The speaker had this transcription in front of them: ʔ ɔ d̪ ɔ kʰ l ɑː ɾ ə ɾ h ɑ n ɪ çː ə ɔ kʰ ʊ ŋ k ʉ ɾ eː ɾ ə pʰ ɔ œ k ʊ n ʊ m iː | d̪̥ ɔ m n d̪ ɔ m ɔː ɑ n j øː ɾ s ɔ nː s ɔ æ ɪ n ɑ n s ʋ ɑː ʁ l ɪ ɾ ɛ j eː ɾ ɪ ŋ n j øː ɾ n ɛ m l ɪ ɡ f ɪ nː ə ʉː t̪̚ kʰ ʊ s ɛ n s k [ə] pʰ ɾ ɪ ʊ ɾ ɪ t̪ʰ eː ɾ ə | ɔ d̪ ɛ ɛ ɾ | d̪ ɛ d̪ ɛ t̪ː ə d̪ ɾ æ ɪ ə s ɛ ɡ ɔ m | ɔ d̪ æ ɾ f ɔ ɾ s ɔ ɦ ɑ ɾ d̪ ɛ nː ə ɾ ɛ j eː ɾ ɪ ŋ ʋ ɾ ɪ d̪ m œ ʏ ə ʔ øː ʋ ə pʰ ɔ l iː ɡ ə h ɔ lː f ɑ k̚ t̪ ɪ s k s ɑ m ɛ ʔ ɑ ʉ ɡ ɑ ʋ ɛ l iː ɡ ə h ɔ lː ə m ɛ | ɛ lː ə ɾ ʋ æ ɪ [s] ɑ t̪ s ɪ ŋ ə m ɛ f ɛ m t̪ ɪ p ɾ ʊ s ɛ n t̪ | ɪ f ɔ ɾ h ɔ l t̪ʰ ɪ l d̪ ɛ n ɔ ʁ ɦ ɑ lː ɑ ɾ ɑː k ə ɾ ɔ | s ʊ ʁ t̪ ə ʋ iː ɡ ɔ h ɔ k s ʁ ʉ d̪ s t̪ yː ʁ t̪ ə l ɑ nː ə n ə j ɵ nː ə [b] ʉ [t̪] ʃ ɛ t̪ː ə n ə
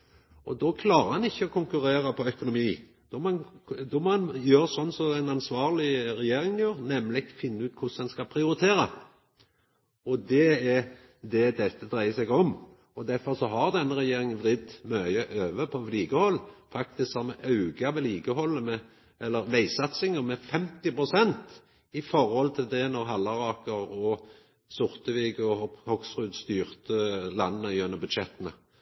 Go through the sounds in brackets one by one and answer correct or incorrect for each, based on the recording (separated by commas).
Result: incorrect, correct, correct, incorrect